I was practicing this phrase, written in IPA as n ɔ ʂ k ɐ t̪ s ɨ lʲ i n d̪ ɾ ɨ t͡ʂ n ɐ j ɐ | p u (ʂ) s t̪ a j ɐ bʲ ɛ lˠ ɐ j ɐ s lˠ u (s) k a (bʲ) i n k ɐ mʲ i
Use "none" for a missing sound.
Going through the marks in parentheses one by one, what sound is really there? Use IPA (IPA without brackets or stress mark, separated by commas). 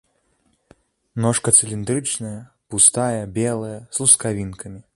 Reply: none, s, vʲ